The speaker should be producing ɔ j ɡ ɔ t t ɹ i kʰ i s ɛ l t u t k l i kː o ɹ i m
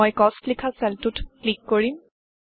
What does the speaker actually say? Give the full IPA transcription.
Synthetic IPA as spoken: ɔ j k ɔ s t l i kʰ a s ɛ l t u t k l i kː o ɹ i m